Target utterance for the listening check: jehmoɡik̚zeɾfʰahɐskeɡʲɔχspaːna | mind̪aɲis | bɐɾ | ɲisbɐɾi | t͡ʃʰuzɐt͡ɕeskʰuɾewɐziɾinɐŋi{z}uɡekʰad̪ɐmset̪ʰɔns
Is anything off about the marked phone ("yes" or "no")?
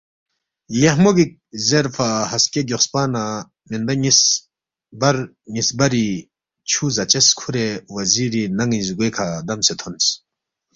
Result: no